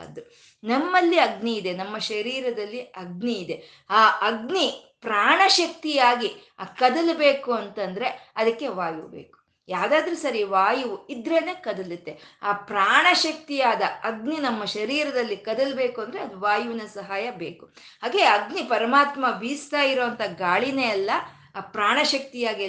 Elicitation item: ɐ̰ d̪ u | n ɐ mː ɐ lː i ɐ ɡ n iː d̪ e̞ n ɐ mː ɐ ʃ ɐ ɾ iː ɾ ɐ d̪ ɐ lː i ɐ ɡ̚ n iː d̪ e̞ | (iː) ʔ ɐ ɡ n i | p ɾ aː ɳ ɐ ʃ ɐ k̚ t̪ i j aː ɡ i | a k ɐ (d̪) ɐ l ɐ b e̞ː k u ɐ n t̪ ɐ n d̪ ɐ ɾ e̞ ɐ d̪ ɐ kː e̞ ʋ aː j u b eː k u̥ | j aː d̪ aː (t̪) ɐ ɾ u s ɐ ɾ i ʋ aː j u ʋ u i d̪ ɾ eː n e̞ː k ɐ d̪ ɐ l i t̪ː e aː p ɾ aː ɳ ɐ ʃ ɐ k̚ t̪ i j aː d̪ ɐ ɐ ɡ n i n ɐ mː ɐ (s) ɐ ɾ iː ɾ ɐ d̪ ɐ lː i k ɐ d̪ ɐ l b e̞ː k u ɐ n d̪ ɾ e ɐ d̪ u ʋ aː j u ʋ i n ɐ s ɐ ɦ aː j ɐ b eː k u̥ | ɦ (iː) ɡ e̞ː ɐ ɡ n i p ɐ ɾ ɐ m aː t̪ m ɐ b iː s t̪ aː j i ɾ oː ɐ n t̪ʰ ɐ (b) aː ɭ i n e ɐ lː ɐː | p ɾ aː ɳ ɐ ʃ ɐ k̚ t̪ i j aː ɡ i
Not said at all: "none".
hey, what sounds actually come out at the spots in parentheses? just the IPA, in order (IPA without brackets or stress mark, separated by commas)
aː, d̪, d̪, ʃ, aː, ɡ